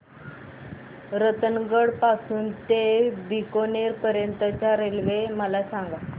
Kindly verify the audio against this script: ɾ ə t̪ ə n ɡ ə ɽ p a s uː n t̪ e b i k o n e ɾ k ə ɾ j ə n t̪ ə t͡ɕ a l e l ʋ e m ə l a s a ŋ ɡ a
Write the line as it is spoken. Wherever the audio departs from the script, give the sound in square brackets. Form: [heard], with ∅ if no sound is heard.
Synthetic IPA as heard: ɾ ə t̪ ə n ɡ ə ɽ p a s uː n t̪ e b i k o n e ɾ [p] ə ɾ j ə n t̪ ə t͡ɕ a [ɾ] e l ʋ e m ə l a s a ŋ ɡ a

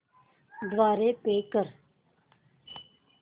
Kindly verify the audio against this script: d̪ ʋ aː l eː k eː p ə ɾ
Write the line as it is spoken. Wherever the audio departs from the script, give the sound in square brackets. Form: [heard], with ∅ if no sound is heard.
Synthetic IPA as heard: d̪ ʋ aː [ɾ] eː [p] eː [k] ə ɾ

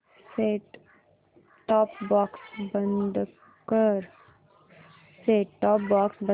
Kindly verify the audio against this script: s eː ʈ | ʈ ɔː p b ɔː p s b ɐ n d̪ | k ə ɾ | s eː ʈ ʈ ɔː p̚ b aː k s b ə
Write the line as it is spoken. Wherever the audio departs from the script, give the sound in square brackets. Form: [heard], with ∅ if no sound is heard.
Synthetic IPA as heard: s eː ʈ | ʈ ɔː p b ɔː [k] s b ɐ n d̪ | k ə ɾ | s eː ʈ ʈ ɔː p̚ b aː k s b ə

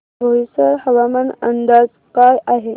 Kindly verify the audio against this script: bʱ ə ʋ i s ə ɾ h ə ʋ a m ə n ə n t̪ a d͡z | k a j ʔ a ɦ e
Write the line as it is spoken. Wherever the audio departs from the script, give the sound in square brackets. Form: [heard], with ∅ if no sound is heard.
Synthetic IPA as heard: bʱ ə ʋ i s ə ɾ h ə ʋ a m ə n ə n [d̪] a d͡z | k a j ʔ a ɦ e

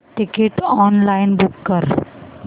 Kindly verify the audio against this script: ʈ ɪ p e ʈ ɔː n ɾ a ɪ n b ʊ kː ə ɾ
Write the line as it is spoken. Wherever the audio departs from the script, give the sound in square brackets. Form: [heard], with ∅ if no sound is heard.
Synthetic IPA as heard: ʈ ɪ [k] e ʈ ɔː n [l] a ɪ n b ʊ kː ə ɾ

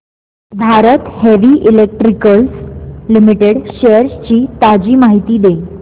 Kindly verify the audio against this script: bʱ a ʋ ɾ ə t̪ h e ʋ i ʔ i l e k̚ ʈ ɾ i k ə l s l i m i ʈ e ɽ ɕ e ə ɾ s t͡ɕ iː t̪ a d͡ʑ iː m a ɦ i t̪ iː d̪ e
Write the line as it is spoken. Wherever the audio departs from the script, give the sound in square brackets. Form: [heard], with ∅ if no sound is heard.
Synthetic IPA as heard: bʱ a [∅] ɾ ə t̪ h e ʋ i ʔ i l e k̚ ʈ ɾ i k ə l s l i m i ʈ e ɽ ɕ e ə ɾ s t͡ɕ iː t̪ a d͡ʑ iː m a ɦ i t̪ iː d̪ e

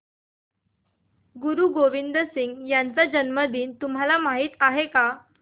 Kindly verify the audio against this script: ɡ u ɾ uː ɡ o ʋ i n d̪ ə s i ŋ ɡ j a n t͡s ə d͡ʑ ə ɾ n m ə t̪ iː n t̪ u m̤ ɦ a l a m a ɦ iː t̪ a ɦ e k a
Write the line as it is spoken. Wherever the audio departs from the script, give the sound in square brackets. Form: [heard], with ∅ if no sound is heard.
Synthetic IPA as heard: ɡ u ɾ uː ɡ o ʋ i n d̪ ə s i ŋ ɡ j a n t͡s [a] d͡ʑ ə [∅] n m ə [d̪] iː n t̪ u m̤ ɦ a l a m a ɦ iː t̪ a ɦ e k a

